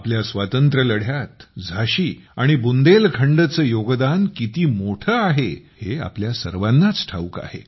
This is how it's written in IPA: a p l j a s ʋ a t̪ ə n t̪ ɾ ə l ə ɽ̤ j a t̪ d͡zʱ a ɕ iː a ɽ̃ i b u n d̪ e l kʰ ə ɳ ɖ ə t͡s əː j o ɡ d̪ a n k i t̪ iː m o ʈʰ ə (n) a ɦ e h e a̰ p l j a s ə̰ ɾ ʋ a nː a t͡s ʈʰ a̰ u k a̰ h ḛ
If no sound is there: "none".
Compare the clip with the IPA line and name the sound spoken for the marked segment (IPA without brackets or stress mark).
none